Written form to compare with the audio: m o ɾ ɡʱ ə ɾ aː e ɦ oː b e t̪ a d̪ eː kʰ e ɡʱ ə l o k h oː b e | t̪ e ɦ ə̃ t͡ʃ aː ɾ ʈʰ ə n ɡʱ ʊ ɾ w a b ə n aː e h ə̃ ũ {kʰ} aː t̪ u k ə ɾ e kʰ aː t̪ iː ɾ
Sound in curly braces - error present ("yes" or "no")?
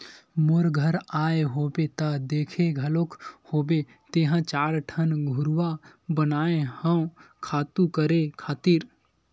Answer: no